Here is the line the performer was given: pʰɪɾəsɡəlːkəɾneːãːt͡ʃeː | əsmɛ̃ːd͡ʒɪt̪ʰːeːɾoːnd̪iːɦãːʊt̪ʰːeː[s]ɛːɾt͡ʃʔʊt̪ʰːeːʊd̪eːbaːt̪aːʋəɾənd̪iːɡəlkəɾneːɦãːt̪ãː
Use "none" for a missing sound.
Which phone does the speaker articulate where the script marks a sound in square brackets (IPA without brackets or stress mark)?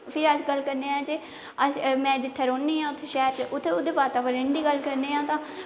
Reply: ʃ